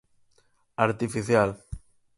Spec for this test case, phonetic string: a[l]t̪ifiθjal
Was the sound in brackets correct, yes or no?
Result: no